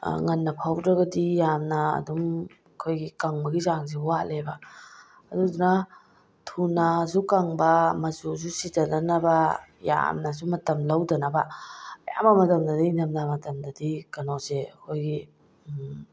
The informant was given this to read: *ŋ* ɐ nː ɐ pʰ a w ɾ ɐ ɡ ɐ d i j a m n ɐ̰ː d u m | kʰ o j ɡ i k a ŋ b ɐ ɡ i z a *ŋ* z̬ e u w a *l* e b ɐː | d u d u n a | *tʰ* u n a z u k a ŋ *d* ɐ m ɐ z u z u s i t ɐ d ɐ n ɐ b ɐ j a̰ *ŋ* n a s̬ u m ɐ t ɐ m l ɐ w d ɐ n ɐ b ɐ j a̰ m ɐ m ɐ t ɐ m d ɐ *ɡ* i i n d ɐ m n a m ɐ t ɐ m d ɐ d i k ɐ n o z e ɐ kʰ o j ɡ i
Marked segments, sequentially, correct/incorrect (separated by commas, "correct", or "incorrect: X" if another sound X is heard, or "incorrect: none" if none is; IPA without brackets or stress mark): correct, correct, correct, correct, incorrect: b, incorrect: m, incorrect: d